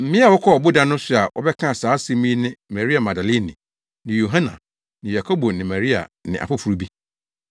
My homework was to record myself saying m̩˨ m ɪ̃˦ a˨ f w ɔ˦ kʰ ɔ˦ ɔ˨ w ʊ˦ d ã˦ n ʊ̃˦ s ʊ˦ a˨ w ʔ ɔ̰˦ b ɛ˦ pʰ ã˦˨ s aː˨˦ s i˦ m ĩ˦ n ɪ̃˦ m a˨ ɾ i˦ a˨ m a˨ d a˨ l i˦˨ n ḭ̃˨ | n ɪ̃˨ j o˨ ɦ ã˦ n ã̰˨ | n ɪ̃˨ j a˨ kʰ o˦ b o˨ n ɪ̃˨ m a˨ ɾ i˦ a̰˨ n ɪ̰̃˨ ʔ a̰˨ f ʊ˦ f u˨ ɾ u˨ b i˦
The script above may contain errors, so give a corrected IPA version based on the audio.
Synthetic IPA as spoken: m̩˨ m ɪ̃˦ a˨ w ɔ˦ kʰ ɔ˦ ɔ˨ b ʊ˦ d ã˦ n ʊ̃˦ s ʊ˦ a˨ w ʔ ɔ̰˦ b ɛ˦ kʰ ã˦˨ s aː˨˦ s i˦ m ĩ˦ n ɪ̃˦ m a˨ ɾ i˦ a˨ m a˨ d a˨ l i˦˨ n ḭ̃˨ | n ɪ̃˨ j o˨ ɦ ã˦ n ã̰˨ | n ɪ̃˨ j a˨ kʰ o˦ b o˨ n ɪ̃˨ m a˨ ɾ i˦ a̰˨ n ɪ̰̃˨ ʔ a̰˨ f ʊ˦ f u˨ ɾ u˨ b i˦